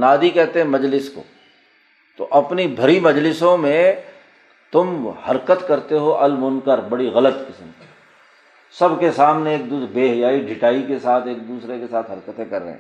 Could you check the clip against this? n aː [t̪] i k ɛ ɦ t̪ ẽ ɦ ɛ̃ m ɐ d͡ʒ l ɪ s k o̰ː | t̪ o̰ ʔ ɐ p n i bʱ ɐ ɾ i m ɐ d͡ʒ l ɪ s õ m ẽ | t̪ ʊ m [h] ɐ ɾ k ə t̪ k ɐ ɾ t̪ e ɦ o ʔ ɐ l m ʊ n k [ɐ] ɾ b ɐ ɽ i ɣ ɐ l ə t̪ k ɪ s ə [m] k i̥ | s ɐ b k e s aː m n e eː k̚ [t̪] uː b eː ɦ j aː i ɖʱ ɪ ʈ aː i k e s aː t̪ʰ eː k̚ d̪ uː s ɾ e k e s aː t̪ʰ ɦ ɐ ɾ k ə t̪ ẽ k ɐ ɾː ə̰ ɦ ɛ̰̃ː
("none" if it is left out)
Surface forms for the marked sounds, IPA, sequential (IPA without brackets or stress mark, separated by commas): d̪, h, ə, m, d̪